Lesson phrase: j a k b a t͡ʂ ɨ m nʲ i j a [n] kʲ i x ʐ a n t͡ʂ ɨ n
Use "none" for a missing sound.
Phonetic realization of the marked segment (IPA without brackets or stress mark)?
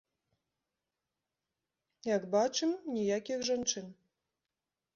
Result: none